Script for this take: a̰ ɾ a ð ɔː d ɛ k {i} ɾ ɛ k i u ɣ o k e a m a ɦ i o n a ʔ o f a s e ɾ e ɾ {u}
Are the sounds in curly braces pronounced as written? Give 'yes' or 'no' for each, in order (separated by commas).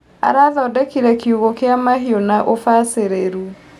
yes, yes